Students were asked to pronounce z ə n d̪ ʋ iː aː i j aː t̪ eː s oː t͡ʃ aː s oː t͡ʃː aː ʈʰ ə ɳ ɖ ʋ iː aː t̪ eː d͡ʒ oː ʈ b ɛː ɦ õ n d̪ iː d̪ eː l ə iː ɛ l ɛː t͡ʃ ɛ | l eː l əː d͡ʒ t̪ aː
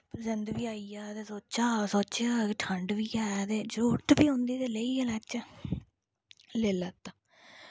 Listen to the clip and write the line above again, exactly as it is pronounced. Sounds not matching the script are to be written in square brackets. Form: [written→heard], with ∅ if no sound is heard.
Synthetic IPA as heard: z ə n d̪ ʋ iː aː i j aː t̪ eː s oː t͡ʃ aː s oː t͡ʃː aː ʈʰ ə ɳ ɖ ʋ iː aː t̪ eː d͡ʒ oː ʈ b [ɛː→iː] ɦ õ n d̪ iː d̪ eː l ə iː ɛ l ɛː t͡ʃ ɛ | l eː l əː [d͡ʒ→∅] t̪ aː